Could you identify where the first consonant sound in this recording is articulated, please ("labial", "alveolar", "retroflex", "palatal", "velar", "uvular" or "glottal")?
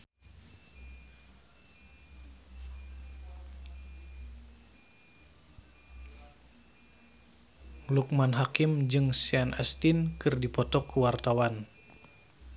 alveolar